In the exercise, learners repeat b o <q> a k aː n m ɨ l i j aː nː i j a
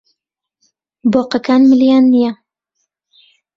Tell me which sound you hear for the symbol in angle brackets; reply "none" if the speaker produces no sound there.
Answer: q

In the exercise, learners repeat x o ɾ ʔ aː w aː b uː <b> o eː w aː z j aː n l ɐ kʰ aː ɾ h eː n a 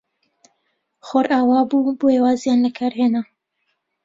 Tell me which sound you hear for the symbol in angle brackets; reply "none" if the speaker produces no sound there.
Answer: b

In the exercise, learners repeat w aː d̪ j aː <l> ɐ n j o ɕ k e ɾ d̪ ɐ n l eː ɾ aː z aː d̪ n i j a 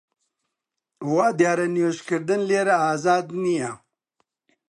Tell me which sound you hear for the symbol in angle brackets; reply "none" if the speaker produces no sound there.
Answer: ɾ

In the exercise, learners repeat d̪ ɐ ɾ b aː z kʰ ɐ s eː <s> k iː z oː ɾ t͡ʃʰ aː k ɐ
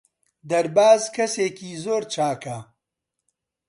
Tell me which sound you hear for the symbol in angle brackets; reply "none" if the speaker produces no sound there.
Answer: none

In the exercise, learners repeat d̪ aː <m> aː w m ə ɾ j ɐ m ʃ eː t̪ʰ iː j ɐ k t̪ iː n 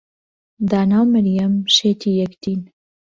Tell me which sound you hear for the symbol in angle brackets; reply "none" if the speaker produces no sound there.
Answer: n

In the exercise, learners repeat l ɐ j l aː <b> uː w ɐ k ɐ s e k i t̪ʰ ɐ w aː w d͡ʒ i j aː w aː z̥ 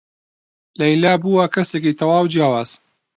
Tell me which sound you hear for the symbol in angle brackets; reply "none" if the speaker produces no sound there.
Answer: b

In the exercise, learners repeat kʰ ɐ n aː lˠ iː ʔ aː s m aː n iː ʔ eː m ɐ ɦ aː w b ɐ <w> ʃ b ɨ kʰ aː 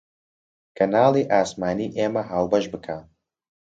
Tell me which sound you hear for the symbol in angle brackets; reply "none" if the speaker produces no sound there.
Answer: none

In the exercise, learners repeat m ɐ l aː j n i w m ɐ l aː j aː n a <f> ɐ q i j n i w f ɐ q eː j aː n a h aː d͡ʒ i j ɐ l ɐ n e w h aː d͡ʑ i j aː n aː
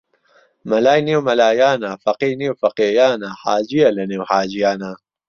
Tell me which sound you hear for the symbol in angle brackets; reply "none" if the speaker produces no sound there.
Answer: f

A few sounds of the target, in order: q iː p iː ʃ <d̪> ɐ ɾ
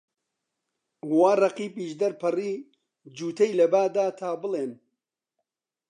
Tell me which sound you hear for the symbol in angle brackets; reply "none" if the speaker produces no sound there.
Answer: d̪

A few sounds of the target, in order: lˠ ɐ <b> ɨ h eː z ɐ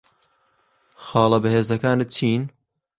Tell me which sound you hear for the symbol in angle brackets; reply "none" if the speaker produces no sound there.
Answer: b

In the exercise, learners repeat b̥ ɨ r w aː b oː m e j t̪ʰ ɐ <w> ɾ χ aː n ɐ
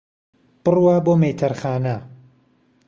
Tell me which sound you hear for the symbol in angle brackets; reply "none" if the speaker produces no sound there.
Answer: none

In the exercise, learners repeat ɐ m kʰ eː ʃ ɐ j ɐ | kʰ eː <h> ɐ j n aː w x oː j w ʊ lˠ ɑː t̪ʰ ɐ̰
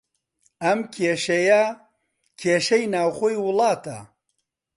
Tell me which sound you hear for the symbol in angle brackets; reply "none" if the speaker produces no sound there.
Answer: ʃ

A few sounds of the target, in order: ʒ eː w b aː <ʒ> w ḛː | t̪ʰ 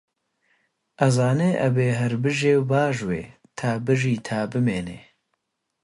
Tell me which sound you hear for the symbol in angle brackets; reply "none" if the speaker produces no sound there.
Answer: ʒ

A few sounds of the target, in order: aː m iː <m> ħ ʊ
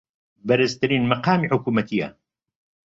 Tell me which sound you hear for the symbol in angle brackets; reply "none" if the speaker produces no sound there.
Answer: none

